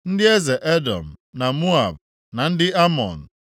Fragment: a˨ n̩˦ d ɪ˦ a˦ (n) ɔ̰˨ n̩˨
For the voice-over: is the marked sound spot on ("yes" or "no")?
no